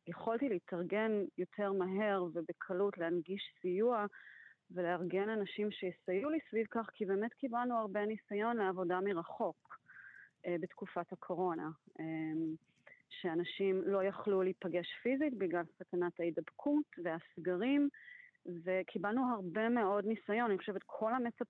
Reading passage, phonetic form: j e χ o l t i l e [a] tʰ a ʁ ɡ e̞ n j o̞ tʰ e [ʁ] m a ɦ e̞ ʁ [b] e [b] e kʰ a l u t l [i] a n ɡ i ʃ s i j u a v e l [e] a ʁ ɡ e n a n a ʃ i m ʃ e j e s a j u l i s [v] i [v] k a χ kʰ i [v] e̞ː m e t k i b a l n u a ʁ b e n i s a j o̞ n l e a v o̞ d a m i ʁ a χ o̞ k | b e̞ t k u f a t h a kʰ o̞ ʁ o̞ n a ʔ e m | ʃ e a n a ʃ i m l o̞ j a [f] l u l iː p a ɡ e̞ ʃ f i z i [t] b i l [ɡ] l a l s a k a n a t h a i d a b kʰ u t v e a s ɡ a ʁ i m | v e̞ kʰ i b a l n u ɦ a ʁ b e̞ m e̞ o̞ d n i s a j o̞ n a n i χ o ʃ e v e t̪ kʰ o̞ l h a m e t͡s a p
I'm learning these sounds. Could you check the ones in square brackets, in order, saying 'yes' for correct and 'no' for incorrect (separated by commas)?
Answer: no, yes, no, yes, no, yes, yes, yes, no, no, yes, yes